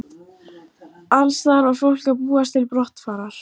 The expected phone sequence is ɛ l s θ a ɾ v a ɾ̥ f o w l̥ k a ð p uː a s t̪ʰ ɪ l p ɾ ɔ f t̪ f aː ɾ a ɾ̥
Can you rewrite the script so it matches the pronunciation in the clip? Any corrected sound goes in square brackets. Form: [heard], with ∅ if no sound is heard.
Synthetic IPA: [a] l s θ a ɾ v a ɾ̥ f o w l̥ k a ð p uː a s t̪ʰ ɪ l p ɾ ɔ [h] t̪ f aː ɾ a ɾ̥